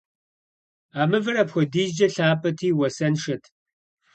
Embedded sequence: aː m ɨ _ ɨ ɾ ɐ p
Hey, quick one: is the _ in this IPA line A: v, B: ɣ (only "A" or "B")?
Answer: A